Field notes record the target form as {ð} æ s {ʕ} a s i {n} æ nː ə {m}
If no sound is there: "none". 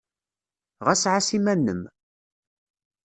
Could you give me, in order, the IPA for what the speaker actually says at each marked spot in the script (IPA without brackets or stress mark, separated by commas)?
ʁ, ʕ, m, m